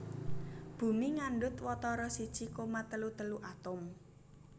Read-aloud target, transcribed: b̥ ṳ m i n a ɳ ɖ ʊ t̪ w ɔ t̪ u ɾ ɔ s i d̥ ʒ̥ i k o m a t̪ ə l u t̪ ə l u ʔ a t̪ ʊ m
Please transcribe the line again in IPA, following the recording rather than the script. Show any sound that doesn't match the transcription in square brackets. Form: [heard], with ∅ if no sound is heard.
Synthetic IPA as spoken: b̥ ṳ m i [ŋ] a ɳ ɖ ʊ t̪ w ɔ t̪ [ɔ] ɾ ɔ s i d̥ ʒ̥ i k o m a t̪ ə l u t̪ ə l u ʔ a t̪ ʊ m